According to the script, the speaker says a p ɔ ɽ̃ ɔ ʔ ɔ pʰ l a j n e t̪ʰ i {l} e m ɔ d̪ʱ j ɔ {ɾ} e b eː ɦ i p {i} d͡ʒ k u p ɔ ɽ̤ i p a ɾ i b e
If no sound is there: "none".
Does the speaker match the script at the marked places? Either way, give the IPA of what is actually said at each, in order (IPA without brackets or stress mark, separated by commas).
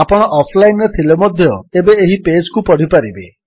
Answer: l, none, e